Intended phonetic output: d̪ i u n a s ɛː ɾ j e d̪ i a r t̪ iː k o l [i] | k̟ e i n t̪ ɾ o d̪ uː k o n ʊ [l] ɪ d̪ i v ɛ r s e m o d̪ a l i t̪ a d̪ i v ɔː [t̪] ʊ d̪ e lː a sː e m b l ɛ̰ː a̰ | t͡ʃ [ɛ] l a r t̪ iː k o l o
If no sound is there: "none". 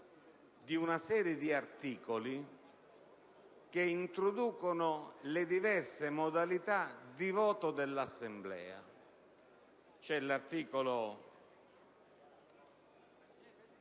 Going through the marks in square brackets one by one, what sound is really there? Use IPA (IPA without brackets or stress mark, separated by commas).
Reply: i, l, t̪, ɛ